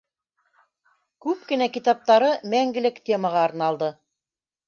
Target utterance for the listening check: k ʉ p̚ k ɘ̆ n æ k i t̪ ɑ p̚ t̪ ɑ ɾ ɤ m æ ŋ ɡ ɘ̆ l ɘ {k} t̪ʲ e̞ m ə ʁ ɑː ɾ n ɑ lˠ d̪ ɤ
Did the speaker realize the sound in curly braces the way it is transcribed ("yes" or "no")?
yes